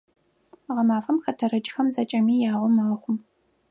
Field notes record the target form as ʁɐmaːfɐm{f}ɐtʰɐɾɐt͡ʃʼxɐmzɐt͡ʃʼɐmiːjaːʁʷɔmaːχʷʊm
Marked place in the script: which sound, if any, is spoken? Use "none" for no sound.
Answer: x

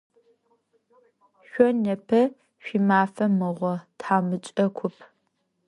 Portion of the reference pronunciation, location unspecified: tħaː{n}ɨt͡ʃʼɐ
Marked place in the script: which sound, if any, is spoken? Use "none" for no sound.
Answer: m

